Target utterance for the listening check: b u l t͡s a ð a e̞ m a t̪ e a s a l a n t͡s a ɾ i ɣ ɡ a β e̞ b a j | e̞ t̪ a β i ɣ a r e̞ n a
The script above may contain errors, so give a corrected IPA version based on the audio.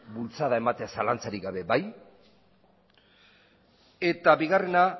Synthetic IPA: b u l t͡s a ð a e̞ m a t̪ e a s a l a n t͡s a ɾ i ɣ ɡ a β e̞ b a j | e̞ t̪ a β i ɣ a r e̞ n a